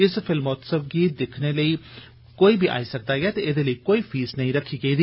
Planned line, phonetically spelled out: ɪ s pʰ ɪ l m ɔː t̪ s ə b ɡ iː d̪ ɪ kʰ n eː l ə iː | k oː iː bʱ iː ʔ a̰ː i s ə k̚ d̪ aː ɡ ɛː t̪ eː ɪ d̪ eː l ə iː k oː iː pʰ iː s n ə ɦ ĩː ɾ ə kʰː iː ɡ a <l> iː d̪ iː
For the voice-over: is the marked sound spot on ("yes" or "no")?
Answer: no